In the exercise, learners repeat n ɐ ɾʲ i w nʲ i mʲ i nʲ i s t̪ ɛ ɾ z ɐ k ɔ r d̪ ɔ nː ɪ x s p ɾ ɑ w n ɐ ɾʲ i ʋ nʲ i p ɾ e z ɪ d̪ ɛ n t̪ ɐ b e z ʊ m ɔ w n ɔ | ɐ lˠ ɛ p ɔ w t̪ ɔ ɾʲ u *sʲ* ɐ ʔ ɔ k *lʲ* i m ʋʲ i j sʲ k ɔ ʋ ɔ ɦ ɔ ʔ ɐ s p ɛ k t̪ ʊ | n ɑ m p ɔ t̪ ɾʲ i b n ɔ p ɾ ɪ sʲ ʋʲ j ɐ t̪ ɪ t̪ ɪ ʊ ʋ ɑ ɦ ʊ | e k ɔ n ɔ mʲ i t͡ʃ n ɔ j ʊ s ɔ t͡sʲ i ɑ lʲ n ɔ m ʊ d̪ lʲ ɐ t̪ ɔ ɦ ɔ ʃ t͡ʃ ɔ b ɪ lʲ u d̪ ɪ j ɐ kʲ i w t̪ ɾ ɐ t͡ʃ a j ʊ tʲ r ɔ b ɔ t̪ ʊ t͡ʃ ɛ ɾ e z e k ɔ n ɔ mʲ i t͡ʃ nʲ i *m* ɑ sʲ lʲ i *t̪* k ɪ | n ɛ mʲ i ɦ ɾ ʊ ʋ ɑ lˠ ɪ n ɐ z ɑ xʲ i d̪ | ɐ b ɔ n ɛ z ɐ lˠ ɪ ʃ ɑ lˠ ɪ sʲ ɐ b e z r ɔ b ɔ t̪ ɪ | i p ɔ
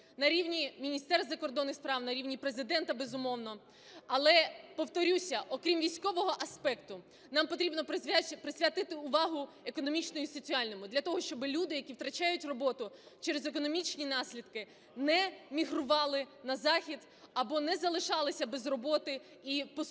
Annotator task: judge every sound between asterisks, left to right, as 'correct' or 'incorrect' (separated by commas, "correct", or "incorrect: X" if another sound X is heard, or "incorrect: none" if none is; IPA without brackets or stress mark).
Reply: correct, incorrect: ɾʲ, incorrect: n, incorrect: d̪